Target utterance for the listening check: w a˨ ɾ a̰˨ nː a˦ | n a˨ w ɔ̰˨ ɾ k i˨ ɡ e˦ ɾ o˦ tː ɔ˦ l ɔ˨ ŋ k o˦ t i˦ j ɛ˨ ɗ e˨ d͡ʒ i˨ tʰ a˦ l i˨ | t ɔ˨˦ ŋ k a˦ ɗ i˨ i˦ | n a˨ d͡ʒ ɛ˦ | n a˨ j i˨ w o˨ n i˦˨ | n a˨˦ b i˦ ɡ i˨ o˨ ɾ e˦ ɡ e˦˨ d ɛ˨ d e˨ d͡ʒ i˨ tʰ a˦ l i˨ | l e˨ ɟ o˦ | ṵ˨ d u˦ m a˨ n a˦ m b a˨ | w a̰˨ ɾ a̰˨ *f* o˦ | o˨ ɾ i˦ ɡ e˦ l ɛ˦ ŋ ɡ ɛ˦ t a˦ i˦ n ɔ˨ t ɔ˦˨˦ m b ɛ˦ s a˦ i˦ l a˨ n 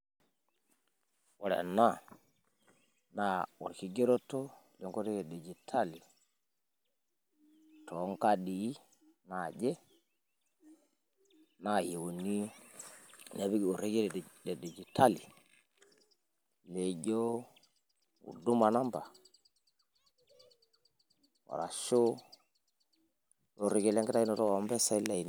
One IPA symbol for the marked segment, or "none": ʃ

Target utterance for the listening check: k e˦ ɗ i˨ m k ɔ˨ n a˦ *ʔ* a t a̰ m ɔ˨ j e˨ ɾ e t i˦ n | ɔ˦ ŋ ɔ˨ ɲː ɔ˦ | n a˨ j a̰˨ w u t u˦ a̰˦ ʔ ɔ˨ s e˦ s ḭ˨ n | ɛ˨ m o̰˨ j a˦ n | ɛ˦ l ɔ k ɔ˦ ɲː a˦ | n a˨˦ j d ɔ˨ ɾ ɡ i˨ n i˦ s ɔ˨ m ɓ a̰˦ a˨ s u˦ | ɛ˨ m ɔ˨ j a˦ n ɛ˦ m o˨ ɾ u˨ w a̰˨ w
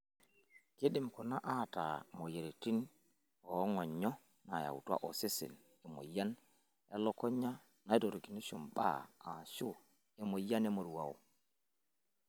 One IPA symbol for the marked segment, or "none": ʔ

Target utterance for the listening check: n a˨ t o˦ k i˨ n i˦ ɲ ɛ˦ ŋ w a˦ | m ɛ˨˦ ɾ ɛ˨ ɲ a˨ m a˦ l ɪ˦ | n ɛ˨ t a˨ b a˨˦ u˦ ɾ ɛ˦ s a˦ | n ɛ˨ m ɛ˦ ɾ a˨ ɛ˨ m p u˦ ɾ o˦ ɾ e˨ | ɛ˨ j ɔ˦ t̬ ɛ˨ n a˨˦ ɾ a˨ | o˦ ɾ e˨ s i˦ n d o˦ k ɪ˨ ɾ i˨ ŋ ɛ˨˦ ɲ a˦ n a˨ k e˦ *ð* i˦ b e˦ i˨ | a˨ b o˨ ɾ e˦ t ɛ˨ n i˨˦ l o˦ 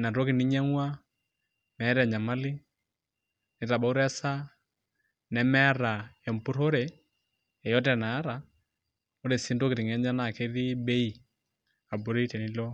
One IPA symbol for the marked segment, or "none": ð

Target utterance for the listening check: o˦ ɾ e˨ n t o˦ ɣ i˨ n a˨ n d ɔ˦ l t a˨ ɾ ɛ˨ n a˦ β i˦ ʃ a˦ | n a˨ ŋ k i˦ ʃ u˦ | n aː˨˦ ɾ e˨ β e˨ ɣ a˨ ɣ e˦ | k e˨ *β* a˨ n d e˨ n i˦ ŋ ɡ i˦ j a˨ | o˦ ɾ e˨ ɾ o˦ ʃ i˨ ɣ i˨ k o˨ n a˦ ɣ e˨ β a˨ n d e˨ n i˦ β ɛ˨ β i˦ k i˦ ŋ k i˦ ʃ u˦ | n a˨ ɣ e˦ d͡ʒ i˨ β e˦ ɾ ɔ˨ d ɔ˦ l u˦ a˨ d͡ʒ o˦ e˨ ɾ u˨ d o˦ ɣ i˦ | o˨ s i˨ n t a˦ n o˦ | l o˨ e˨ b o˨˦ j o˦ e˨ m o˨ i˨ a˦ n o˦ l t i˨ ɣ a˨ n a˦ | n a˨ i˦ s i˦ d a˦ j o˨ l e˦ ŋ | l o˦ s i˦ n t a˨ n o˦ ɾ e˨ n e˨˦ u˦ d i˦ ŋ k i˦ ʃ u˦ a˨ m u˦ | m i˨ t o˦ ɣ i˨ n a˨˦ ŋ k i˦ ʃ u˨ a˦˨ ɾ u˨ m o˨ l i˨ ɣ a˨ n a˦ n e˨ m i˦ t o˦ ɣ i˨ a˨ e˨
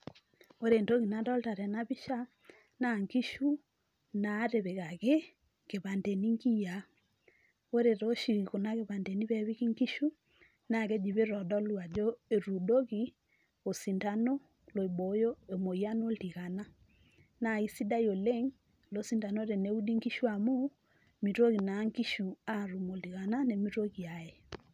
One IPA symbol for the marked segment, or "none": β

